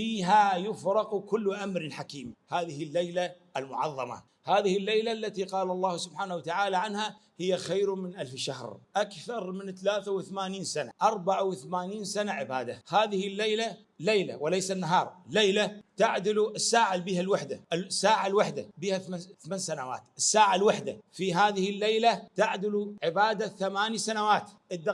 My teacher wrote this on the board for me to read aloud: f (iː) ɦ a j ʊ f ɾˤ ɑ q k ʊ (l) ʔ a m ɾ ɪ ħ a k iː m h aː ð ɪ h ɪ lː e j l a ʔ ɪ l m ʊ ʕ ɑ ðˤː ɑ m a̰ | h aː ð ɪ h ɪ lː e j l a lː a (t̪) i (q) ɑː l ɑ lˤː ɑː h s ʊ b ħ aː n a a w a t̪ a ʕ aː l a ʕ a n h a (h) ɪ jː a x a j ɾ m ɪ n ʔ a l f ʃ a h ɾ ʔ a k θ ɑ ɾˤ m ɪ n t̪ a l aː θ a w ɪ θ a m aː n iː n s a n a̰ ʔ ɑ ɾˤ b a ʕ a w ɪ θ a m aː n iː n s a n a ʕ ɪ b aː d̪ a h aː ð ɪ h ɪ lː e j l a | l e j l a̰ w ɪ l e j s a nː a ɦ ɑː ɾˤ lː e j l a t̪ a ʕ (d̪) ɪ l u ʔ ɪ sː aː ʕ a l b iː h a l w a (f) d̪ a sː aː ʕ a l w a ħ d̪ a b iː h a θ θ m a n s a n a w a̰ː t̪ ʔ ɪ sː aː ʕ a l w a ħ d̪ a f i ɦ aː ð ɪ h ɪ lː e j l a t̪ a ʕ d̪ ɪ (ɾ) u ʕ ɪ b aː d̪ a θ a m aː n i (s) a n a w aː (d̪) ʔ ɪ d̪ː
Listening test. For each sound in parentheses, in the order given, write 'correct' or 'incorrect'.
correct, incorrect: lː, correct, correct, correct, correct, incorrect: ħ, incorrect: l, correct, incorrect: t̪

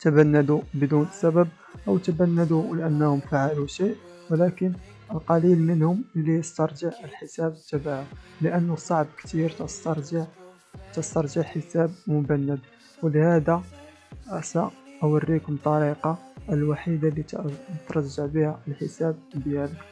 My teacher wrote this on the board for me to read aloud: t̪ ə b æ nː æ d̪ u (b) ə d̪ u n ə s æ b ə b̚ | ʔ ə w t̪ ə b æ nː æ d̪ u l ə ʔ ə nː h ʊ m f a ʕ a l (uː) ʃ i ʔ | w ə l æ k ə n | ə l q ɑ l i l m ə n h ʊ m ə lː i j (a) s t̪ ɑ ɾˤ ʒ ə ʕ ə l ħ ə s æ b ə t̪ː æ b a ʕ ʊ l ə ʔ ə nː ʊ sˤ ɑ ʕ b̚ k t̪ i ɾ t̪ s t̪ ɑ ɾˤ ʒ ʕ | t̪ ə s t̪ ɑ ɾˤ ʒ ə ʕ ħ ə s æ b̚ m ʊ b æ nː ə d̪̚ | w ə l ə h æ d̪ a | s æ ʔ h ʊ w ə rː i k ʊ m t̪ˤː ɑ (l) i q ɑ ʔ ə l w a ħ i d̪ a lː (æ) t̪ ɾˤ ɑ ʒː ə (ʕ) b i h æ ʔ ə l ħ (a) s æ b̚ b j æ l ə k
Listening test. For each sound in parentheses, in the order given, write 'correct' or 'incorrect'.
correct, incorrect: u, incorrect: ə, incorrect: ɾ, incorrect: i, correct, incorrect: ə

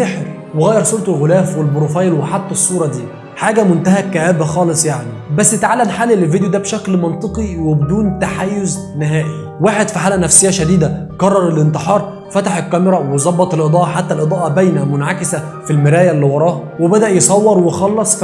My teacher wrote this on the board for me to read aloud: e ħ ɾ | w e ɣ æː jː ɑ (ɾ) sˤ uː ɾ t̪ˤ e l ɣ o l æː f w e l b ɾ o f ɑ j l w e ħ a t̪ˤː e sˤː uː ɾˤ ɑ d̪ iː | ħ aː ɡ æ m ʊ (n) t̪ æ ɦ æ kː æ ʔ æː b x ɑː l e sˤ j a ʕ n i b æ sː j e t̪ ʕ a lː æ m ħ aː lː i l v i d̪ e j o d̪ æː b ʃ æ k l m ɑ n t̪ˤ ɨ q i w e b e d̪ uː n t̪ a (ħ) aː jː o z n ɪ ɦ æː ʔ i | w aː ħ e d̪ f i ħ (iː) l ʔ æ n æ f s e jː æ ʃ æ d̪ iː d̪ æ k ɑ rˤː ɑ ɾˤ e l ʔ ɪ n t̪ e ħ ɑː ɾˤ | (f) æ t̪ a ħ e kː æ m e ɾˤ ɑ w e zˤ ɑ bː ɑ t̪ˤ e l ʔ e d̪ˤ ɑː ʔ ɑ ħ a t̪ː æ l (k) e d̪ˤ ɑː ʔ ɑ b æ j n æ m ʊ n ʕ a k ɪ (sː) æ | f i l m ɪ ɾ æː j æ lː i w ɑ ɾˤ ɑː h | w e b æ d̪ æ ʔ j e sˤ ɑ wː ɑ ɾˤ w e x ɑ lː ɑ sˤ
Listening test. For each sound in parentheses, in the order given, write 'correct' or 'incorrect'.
correct, correct, correct, incorrect: aː, correct, incorrect: ʔ, incorrect: s

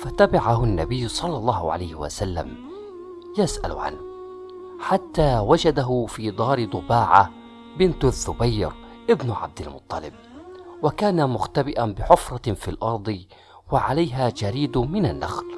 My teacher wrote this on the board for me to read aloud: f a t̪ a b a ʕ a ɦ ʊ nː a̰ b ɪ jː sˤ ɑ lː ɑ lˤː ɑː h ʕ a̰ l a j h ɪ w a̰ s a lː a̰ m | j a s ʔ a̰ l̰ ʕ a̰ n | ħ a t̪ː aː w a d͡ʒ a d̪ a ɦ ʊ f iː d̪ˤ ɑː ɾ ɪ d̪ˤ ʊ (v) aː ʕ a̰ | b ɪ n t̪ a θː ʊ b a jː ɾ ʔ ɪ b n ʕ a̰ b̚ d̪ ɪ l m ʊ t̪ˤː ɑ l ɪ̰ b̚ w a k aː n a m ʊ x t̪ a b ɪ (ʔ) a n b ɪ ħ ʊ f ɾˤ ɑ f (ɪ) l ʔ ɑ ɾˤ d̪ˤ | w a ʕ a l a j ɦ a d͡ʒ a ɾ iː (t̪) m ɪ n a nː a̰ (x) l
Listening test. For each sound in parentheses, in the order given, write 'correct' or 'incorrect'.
incorrect: b, correct, incorrect: i, incorrect: d̪, correct

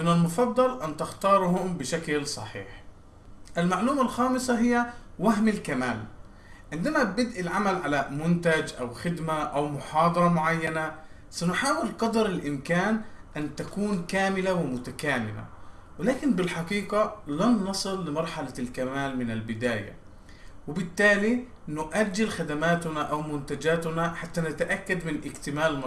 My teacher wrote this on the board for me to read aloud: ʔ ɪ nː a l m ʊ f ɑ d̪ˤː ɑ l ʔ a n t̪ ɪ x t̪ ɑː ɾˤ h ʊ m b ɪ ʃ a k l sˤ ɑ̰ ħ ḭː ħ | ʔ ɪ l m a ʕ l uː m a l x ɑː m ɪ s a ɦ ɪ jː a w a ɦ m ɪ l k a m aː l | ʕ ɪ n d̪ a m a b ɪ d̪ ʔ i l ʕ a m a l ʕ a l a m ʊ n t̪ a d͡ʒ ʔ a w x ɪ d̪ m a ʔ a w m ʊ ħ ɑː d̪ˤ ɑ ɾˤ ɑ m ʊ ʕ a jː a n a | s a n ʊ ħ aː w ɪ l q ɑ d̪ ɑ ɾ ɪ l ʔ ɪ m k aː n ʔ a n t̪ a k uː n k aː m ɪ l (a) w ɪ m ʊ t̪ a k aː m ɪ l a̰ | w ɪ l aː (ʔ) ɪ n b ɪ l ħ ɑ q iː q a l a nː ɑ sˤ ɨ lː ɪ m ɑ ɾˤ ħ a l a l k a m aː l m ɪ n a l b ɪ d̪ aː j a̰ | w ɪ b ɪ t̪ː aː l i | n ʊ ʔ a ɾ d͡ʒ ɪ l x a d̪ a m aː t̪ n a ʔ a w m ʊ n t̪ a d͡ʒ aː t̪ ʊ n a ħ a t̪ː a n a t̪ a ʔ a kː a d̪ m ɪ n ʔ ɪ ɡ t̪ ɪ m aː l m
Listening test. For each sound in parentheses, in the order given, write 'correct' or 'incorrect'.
correct, incorrect: k

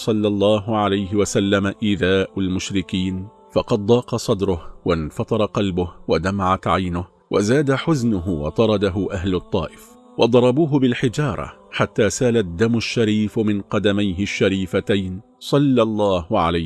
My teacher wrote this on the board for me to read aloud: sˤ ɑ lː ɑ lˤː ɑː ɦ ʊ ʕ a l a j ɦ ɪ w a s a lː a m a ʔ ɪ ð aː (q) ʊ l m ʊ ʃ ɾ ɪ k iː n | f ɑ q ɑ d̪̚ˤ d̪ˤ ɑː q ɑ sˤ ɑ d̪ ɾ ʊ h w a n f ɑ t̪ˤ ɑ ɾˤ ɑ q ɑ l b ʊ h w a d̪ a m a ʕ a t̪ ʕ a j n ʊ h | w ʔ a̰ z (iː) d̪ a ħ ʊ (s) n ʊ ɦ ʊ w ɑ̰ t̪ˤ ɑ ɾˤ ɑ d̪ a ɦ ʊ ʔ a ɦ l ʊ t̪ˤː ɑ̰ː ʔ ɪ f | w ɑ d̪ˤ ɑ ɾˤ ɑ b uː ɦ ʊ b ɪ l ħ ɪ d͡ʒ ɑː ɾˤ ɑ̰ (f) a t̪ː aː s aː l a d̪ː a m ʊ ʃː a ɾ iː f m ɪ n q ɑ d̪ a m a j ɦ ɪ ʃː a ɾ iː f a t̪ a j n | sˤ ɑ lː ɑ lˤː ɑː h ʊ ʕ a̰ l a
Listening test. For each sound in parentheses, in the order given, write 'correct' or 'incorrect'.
incorrect: ʔ, incorrect: aː, incorrect: z, incorrect: ħ

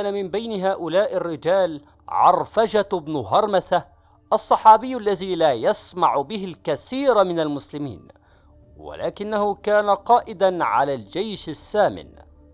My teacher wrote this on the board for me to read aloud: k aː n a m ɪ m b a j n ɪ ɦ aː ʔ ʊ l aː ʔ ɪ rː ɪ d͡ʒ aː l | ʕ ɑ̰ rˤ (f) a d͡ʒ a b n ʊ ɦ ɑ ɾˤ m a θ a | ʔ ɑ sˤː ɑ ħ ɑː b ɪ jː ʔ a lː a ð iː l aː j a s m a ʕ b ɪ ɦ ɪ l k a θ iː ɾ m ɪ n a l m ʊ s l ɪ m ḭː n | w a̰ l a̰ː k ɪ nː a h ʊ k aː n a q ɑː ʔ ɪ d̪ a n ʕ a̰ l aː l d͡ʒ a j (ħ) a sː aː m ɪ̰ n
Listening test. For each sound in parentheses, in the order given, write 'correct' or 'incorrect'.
correct, incorrect: ʃ

